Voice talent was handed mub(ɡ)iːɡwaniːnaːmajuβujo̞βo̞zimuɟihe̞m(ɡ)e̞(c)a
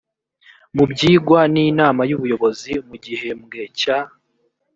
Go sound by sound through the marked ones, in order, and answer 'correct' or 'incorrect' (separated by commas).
incorrect, correct, correct